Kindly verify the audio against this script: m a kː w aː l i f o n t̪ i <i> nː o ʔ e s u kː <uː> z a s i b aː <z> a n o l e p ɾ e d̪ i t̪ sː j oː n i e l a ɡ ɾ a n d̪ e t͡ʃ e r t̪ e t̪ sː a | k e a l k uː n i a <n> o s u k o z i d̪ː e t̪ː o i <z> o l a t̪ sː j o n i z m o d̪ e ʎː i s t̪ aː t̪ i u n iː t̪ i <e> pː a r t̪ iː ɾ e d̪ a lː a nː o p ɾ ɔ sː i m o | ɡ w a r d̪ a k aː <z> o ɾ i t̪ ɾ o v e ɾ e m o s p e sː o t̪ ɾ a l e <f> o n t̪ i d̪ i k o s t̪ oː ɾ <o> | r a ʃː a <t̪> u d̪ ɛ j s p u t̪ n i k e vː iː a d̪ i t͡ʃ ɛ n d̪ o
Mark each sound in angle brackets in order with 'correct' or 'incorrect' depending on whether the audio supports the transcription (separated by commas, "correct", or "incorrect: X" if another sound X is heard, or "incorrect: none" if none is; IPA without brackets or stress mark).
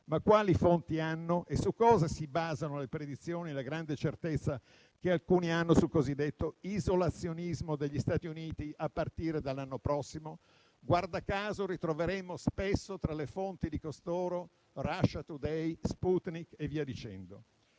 incorrect: a, incorrect: ɔː, correct, incorrect: nː, correct, incorrect: a, correct, correct, correct, correct